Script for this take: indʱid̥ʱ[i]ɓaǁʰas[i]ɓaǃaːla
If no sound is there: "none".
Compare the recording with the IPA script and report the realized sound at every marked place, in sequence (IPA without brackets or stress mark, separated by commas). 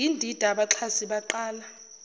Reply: a, i